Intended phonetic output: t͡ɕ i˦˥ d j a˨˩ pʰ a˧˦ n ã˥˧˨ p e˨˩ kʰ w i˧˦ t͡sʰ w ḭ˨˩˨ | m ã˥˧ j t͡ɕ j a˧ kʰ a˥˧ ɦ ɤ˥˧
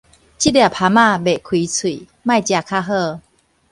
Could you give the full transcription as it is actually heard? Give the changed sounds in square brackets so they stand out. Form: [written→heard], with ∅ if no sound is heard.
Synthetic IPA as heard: t͡ɕ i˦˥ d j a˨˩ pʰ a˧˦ [n→m] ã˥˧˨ [p→b] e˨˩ kʰ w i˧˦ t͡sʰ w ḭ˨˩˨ | m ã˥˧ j t͡ɕ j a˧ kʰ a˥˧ ɦ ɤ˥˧